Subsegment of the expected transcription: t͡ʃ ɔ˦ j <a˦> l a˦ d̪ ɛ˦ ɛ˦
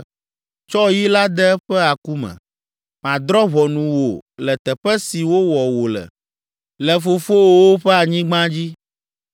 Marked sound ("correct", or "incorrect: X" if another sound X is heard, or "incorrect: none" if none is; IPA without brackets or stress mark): incorrect: i˦